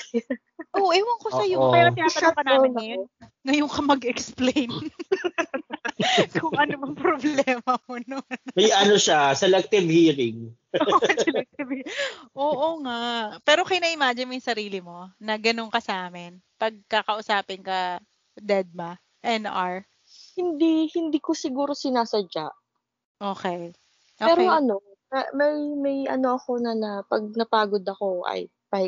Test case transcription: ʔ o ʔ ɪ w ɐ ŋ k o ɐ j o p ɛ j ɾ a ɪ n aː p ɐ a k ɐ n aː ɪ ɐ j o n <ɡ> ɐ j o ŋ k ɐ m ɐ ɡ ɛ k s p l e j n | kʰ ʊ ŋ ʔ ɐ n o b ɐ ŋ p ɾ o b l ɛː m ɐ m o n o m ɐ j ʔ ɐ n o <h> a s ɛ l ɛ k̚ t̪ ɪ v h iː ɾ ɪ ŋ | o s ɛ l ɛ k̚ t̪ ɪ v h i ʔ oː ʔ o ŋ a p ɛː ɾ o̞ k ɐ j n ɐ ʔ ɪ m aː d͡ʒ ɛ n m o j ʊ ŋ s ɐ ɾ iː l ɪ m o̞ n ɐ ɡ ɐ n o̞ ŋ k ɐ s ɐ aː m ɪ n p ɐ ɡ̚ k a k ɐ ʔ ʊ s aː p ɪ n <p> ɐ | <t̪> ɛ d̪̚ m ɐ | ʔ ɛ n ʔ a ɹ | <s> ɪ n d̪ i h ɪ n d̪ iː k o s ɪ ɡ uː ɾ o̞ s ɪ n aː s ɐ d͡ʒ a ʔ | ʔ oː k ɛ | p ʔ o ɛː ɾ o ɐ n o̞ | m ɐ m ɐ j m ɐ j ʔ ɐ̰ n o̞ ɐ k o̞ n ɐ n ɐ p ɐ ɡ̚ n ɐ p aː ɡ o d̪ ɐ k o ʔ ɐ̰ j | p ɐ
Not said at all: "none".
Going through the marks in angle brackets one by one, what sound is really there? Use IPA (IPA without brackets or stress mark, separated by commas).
ŋ, ʃ, k, d̪, h